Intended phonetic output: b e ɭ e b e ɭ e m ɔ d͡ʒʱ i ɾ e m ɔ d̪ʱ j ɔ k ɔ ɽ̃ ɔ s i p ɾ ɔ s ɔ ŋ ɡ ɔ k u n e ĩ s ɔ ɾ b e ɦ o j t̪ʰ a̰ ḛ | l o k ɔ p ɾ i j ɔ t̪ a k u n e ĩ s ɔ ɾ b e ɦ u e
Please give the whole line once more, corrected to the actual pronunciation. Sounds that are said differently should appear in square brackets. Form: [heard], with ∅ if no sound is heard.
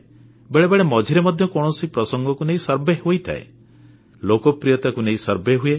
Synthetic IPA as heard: b e ɭ e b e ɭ e m ɔ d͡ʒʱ i ɾ e m ɔ d̪ʱ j ɔ k ɔ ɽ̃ ɔ s i p ɾ ɔ s ɔ ŋ ɡ ɔ k u n e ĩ s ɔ ɾ b e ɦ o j t̪ʰ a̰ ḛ | l o k ɔ p ɾ i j ɔ t̪ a k u n e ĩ s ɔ ɾ b e ɦ u e

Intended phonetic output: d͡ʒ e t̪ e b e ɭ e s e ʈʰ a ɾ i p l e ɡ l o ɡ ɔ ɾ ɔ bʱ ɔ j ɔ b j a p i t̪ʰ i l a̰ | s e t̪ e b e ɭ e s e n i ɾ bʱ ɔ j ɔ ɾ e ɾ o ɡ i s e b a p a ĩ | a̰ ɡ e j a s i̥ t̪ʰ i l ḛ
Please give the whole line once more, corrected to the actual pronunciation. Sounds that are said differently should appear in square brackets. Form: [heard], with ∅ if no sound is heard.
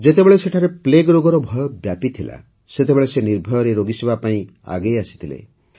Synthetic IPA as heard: d͡ʒ e t̪ e b e ɭ e s e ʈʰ a ɾ [e] p l e ɡ [ɾ] o ɡ ɔ ɾ ɔ bʱ ɔ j ɔ b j a p i t̪ʰ i l a̰ | s e t̪ e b e ɭ e s e n i ɾ bʱ ɔ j ɔ ɾ e ɾ o ɡ i s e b a p a ĩ | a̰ ɡ e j a s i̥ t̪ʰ i l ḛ

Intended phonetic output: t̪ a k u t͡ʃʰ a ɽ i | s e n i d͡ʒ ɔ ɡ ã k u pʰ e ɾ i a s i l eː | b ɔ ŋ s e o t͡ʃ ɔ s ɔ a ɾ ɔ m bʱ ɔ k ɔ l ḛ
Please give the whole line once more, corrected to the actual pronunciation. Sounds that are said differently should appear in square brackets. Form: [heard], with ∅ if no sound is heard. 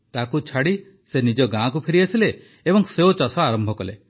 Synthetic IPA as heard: t̪ a k u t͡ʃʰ a ɽ i | s e n i d͡ʒ ɔ ɡ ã k u pʰ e ɾ i a s i l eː | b ɔ ŋ s e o t͡ʃ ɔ s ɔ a ɾ ɔ m bʱ ɔ k ɔ l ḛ

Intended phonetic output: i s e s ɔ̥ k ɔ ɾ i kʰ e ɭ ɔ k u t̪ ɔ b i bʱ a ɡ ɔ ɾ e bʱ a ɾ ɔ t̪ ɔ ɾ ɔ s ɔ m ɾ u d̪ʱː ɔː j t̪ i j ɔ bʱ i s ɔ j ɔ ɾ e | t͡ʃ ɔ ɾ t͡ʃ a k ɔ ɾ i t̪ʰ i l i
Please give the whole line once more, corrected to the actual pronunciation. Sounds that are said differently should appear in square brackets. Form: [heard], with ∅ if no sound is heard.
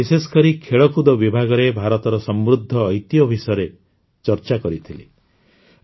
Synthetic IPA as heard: i s e s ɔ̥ k ɔ ɾ i kʰ e ɭ ɔ k u [d̪] ɔ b i bʱ a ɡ ɔ ɾ e bʱ a ɾ ɔ t̪ ɔ ɾ ɔ s ɔ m ɾ u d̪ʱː ɔː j t̪ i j ɔ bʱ i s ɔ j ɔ ɾ e | t͡ʃ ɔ ɾ t͡ʃ a k ɔ ɾ i t̪ʰ i l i

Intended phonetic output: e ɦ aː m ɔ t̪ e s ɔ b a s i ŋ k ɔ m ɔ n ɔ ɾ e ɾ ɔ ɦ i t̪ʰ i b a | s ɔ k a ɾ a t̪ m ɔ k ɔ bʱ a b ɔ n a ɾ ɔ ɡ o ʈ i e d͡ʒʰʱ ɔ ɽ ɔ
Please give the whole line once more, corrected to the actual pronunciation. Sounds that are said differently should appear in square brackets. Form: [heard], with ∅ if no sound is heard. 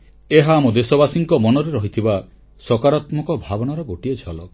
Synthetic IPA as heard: e ɦ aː m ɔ [d̪] e s ɔ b a s i ŋ k ɔ m ɔ n ɔ ɾ e ɾ ɔ ɦ i t̪ʰ i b a | s ɔ k a ɾ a t̪ m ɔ k ɔ bʱ a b ɔ n a ɾ ɔ ɡ o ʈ i e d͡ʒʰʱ ɔ [l] ɔ

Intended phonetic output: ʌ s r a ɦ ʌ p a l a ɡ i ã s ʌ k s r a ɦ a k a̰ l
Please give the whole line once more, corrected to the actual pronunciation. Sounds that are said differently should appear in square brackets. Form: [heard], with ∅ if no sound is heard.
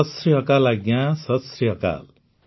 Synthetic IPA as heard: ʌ s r [i] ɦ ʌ [k] a l a ɡ [j] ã s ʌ [∅] s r [i] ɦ [ʌ] k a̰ l

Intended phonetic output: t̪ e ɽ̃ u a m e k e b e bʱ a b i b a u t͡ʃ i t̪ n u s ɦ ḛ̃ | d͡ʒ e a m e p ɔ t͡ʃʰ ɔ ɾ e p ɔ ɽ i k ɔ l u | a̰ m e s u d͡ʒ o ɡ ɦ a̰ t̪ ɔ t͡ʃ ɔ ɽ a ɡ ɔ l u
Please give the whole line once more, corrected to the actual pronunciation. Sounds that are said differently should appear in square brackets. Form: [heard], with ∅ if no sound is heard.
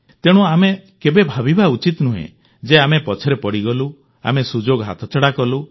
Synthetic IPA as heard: t̪ e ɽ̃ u a m e k e b e bʱ a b i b a u t͡ʃ i t̪ n u [∅] ɦ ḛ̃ | d͡ʒ e a m e p ɔ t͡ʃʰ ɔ ɾ e p ɔ ɽ i [ɡ] ɔ l u | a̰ m e s u d͡ʒ o ɡ ɦ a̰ [t̪ʰ] ɔ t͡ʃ ɔ ɽ a [k] ɔ l u

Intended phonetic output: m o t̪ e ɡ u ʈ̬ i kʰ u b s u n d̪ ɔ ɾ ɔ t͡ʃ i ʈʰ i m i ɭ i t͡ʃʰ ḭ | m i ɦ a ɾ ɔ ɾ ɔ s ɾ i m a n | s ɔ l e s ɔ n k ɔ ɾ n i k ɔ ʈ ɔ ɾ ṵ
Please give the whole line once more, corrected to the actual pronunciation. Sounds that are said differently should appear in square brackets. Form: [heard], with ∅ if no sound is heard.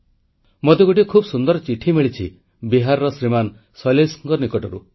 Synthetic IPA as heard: m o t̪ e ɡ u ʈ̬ i kʰ u b s u n d̪ ɔ ɾ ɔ t͡ʃ i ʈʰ i m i ɭ i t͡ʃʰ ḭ | [b] i ɦ a ɾ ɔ ɾ ɔ s ɾ i m a n | s ɔ l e s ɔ [ŋ] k ɔ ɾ n i k ɔ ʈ ɔ ɾ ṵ

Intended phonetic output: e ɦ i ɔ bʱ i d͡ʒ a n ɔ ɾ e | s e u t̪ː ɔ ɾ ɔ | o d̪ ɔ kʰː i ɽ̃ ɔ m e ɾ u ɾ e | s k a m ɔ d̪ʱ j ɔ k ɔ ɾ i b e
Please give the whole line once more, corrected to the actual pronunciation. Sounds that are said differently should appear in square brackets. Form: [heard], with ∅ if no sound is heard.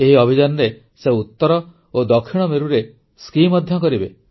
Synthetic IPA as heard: e ɦ i ɔ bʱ i d͡ʒ a n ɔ ɾ e | s e u t̪ː ɔ ɾ ɔ | o d̪ ɔ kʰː i ɽ̃ ɔ m e ɾ u ɾ e | s k [i] m ɔ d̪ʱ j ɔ k ɔ ɾ i b e

